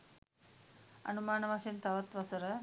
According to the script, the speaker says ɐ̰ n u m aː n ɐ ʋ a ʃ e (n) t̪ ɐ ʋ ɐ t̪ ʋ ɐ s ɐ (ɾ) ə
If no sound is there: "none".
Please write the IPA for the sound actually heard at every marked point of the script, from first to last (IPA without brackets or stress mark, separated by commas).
n, ɾ